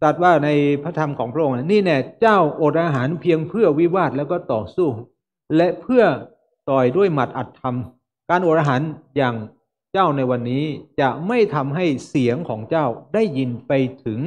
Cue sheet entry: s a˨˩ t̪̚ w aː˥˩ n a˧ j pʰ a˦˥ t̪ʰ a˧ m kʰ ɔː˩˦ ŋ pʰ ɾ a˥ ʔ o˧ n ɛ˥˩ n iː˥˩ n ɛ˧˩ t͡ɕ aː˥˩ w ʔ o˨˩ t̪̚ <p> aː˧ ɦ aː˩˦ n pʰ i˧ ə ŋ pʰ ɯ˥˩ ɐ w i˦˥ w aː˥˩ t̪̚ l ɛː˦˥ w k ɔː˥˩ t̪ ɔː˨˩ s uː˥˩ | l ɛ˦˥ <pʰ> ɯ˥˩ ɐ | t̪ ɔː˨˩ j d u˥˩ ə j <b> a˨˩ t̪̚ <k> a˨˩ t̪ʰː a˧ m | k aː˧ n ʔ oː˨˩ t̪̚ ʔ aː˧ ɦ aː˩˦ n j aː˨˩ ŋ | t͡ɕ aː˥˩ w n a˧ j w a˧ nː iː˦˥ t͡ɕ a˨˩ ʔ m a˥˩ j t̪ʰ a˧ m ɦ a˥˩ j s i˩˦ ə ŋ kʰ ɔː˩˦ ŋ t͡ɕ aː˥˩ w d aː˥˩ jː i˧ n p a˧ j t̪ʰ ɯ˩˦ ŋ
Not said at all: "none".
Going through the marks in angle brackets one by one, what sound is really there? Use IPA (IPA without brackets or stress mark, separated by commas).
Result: ʔ, pʰ, m, ʔ